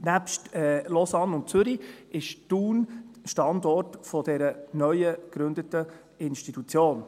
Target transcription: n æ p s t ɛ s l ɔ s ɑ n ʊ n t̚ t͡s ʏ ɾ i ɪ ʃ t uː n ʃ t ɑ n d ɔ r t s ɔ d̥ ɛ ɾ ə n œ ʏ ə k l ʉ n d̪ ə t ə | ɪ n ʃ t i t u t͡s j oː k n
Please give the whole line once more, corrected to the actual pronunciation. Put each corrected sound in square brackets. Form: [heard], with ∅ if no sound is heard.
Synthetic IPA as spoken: n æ p [ʃ] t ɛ [∅] l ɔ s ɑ n ʊ n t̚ t͡s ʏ ɾ i ɪ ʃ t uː n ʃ t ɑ n d ɔ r t [f] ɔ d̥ ɛ ɾ ə n œ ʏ ə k [ɾ] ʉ n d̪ ə t ə | ɪ n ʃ t i t u t͡s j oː [∅] n